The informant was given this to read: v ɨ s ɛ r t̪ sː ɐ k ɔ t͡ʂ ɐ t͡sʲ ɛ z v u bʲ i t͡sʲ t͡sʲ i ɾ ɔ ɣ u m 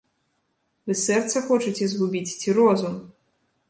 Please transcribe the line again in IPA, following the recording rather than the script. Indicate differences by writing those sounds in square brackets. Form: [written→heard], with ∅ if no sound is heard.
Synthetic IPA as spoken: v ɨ s ɛ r t̪ [sː→s] ɐ [k→x] ɔ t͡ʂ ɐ t͡sʲ ɛ z [v→ɣ] u bʲ i t͡sʲ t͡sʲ i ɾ ɔ [ɣ→z] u m